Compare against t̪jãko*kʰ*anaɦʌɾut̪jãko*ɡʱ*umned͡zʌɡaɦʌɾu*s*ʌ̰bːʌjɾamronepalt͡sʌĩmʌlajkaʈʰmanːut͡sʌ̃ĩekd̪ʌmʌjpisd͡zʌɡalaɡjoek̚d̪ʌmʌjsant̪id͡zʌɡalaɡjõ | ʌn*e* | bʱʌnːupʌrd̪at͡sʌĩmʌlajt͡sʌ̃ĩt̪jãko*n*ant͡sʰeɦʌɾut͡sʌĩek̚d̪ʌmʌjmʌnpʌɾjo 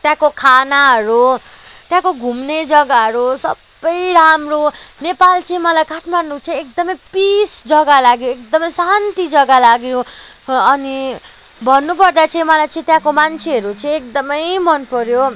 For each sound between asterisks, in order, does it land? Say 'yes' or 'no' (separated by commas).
yes, yes, yes, no, no